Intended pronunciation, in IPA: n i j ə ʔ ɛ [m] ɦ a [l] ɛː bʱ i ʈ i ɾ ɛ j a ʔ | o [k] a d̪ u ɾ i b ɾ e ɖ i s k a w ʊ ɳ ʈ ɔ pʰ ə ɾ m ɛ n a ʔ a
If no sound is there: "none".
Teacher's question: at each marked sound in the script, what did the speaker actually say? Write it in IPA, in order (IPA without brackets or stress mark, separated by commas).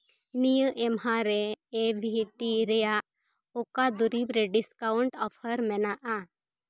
m, ɾ, k